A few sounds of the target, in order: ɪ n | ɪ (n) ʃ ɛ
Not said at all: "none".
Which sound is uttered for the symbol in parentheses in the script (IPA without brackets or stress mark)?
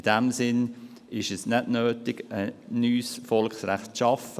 none